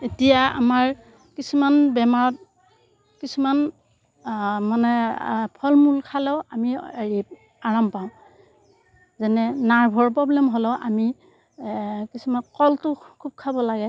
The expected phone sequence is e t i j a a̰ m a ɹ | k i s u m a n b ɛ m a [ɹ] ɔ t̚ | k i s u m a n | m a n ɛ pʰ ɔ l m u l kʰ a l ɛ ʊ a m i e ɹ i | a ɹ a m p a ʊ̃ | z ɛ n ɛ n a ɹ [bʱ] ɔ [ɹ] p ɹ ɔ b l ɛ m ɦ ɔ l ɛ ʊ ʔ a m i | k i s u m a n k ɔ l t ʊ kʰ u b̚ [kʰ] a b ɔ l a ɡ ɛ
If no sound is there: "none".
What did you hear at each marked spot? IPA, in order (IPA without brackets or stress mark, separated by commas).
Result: ɹ, bʱ, ɹ, kʰ